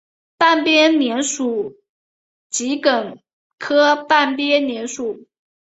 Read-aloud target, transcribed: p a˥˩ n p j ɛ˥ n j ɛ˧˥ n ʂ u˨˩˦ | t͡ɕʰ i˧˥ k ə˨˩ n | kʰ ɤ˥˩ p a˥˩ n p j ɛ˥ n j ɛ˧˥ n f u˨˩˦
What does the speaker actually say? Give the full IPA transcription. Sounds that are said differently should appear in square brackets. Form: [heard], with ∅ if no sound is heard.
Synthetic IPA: p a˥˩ n p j ɛ˥ n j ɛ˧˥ n ʂ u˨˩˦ | [t͡ɕ] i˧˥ k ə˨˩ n | kʰ [ɤ˥] p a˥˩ n p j ɛ˥ n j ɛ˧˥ n [ʂ] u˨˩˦